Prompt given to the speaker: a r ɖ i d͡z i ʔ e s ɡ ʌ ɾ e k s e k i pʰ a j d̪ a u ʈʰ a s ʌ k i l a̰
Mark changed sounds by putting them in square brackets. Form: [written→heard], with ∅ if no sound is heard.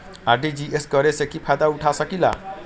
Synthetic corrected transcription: a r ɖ i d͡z i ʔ e s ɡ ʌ ɾ e [k→∅] s e k i pʰ a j d̪ a u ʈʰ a s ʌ k i l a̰